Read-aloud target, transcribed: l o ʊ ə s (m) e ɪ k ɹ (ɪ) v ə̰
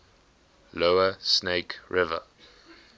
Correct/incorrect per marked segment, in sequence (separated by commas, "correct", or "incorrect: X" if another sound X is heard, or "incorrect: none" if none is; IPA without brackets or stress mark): incorrect: n, correct